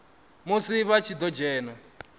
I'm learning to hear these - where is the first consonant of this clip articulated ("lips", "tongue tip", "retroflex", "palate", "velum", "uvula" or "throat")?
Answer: lips